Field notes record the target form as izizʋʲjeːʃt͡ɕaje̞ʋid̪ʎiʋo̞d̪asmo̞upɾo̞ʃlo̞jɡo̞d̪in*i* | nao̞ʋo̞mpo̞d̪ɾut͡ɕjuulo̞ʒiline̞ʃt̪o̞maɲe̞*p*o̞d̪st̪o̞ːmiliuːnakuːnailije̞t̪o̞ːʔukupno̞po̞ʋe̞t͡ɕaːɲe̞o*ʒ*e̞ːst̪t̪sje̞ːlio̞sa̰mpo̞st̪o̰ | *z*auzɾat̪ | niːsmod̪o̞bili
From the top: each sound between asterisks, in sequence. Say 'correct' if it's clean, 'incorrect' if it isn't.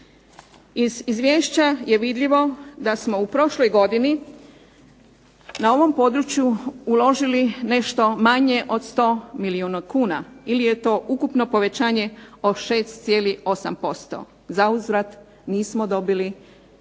correct, incorrect, incorrect, correct

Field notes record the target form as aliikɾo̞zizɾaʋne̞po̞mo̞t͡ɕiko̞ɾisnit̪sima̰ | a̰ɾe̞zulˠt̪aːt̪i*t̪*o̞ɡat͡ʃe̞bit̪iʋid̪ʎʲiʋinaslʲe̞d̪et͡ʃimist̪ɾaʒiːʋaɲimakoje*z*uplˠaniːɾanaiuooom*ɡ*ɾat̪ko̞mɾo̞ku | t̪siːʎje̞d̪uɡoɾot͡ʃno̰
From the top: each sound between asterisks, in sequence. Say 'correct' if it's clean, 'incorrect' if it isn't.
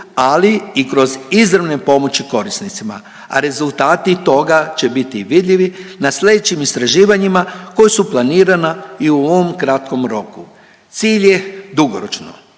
correct, incorrect, incorrect

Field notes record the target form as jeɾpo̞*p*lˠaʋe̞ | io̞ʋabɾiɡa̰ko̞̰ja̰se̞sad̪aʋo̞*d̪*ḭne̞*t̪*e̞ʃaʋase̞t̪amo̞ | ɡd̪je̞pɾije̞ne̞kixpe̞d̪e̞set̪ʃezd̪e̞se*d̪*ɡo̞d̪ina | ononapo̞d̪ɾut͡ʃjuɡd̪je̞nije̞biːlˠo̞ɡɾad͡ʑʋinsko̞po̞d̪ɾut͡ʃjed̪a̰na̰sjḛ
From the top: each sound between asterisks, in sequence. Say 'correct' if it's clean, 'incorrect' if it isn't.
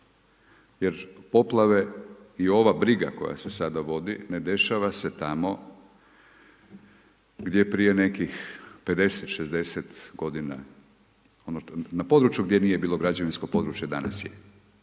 correct, correct, incorrect, incorrect

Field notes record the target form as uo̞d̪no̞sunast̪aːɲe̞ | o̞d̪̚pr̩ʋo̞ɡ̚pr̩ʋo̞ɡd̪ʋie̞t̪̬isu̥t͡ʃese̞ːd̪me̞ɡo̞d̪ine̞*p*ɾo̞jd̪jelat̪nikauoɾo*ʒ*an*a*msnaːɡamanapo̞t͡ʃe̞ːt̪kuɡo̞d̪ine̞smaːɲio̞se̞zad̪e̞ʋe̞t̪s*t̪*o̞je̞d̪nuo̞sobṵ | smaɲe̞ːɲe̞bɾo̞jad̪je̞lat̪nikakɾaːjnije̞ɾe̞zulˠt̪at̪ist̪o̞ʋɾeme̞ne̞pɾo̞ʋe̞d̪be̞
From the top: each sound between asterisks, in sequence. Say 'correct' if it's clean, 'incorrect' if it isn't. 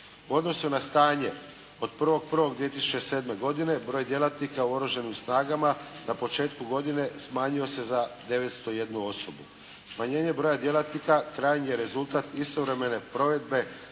incorrect, correct, incorrect, correct

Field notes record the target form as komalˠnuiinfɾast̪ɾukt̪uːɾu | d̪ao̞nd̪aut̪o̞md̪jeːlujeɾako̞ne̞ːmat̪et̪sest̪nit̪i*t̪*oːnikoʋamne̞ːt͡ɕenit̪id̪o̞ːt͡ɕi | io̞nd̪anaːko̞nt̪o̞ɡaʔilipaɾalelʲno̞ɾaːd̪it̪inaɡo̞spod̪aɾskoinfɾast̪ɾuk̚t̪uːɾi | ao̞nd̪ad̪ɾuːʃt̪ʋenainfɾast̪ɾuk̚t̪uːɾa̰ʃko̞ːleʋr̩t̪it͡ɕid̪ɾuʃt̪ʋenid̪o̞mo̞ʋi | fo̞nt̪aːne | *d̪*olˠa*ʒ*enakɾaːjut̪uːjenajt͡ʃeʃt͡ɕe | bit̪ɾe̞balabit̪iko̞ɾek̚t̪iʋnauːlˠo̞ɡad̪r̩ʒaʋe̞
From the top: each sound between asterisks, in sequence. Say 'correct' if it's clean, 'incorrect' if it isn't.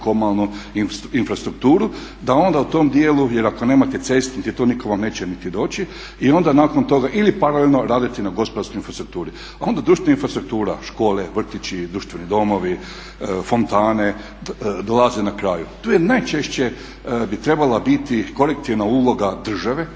correct, correct, incorrect

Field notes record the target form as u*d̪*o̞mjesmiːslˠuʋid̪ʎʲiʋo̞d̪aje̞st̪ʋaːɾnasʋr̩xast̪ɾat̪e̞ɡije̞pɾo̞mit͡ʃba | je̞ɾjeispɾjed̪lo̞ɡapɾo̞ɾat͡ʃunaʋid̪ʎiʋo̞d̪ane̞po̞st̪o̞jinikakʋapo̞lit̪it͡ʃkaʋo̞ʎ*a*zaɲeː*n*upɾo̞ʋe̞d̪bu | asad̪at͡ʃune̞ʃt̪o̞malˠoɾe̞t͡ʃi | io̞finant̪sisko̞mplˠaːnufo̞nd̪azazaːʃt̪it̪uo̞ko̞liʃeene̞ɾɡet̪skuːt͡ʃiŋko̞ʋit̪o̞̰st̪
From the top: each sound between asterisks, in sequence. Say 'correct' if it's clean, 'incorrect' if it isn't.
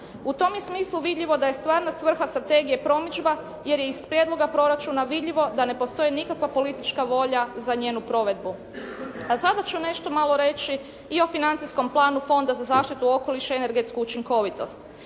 incorrect, correct, correct

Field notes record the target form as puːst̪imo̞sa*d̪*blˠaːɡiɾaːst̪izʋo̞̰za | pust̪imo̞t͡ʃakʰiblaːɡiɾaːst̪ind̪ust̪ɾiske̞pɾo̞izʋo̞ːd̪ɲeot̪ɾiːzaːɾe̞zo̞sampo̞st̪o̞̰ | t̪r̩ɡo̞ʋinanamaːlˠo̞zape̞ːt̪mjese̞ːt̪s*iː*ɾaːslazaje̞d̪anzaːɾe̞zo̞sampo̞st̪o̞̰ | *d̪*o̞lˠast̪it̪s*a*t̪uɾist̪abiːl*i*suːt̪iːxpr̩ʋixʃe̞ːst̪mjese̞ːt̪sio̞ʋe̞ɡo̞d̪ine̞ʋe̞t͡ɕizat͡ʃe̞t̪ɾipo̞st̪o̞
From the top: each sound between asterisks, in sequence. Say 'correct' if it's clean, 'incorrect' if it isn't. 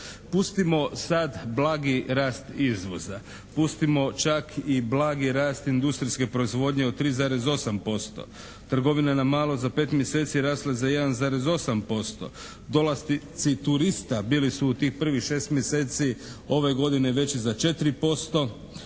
correct, incorrect, correct, incorrect, correct

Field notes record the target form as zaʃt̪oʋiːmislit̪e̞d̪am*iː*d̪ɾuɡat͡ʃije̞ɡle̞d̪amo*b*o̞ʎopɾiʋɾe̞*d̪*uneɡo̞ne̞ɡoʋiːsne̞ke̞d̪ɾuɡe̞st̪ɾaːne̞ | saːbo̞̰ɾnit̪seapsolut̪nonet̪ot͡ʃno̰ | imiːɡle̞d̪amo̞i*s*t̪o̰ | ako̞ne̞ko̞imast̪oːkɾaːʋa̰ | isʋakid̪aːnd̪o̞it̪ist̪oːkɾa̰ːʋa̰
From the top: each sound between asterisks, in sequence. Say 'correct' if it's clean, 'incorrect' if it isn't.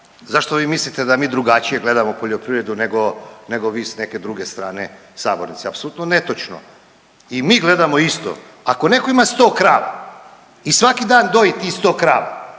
correct, incorrect, correct, correct

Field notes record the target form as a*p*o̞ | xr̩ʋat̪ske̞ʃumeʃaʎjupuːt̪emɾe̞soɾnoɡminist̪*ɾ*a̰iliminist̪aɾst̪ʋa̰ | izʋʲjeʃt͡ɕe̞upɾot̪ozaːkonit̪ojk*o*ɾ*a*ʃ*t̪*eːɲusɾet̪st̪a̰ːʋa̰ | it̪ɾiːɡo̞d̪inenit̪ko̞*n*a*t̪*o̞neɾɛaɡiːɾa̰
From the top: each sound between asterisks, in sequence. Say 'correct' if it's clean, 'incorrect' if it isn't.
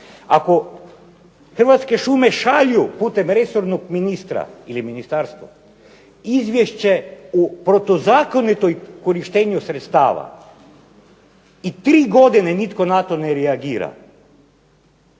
incorrect, correct, correct, incorrect, correct, correct, correct

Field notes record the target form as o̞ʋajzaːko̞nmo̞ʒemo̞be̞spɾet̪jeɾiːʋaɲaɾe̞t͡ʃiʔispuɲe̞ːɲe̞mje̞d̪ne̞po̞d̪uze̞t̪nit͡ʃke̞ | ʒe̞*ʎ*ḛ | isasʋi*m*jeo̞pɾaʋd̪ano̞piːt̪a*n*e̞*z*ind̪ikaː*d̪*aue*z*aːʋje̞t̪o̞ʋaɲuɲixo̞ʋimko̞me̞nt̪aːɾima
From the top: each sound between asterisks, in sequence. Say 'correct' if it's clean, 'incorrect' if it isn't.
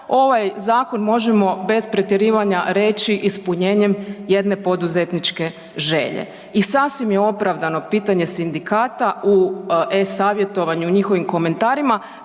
correct, correct, incorrect, incorrect, incorrect, incorrect

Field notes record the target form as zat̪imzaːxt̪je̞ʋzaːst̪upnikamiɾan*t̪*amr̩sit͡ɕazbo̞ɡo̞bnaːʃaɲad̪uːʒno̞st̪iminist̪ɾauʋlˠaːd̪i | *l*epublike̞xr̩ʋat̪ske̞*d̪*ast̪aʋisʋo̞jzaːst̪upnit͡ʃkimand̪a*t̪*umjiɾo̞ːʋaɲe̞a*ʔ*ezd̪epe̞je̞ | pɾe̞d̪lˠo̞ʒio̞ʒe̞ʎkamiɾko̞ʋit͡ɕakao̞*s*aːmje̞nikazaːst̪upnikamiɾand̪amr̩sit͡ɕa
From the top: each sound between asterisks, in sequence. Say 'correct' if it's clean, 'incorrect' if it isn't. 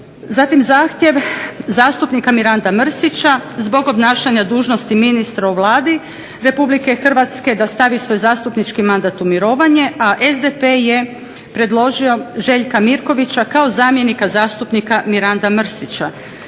incorrect, incorrect, correct, correct, correct, incorrect

